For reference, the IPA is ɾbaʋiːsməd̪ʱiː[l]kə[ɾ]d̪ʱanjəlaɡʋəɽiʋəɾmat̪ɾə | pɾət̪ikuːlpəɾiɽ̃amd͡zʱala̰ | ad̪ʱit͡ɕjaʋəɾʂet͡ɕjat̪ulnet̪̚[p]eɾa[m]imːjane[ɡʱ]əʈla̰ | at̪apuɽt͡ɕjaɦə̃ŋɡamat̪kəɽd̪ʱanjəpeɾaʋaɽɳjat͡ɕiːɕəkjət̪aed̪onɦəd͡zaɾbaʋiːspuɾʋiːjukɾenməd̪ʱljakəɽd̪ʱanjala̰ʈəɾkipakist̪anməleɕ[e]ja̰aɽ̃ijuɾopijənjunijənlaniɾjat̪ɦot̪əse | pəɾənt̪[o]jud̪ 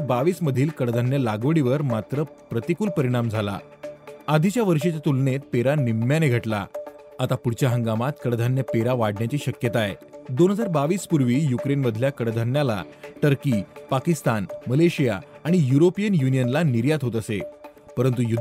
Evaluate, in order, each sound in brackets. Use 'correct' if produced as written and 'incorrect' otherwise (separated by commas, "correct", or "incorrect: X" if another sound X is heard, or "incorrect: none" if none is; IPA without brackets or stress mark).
correct, incorrect: ɽ, correct, incorrect: n, correct, incorrect: i, incorrect: u